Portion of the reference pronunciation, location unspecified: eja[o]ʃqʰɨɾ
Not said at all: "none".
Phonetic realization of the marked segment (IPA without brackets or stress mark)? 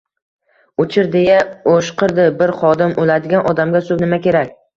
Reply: o